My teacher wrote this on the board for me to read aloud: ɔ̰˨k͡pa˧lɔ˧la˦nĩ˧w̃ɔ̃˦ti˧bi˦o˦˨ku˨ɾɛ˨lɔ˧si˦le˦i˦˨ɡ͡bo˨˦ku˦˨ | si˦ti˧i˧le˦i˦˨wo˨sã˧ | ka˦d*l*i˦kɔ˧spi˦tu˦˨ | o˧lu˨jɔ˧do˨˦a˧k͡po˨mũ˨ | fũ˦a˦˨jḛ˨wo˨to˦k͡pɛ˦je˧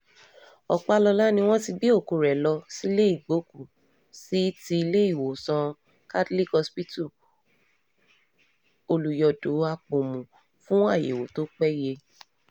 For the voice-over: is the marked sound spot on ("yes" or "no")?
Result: yes